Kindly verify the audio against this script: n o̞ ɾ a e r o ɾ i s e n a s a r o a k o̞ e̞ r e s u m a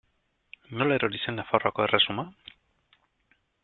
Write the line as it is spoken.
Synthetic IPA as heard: n o̞ l a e ɾ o ɾ i s e n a f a r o a k o̞ e̞ r e s u m a